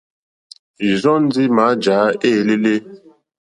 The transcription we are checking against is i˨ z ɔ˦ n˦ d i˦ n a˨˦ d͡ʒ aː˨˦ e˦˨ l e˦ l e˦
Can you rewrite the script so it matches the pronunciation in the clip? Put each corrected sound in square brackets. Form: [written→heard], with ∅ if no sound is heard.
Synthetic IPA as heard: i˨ z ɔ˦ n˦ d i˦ [n→m] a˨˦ d͡ʒ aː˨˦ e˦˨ l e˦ l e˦